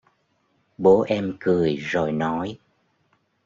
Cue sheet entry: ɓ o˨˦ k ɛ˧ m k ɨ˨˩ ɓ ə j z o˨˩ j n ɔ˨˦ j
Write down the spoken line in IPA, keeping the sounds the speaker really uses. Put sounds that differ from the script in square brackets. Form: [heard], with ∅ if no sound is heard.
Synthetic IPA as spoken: ɓ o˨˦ [ʔ] ɛ˧ m k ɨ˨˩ [∅] ə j z o˨˩ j n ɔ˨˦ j